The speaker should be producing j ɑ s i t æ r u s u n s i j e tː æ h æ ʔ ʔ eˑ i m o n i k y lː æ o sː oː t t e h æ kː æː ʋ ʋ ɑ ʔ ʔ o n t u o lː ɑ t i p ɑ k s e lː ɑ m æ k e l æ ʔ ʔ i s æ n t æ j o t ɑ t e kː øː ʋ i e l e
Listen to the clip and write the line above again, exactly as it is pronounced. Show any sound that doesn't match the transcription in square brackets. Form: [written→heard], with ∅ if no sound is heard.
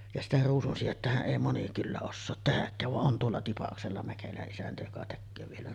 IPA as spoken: j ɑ s i t æ r [u→uː] s u n s i j e tː æ h æ ʔ ʔ eˑ i m o n i k y lː æ o sː oː t t e h æ kː æː ʋ ʋ ɑ ʔ ʔ o n t u o lː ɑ t i p ɑ k s e lː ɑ m æ k e l æ ʔ ʔ i s æ n t æ j o [t→k] ɑ t e kː øː ʋ i e l [e→æ]